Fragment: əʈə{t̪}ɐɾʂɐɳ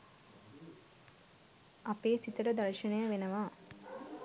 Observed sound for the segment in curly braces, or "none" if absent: d̪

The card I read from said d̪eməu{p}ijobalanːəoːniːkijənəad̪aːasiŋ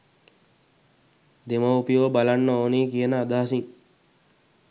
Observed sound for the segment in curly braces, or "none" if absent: p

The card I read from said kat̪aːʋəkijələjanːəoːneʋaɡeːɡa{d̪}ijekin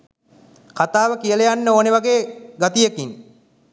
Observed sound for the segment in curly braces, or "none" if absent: t̪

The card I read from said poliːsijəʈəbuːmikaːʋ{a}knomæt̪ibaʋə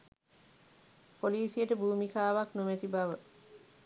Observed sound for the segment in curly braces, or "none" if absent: a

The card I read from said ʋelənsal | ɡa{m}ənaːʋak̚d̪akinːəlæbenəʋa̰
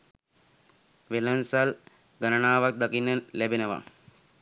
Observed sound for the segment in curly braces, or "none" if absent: n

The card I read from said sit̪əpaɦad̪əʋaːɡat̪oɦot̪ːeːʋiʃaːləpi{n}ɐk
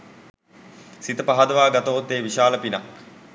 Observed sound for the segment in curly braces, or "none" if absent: n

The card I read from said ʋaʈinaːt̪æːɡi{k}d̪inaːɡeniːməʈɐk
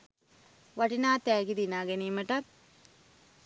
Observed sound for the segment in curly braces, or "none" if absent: none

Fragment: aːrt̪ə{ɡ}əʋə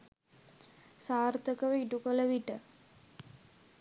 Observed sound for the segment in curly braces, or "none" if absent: k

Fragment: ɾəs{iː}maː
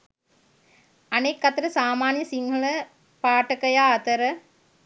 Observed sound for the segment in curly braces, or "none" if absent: aː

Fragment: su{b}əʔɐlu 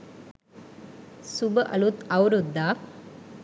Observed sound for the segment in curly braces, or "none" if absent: b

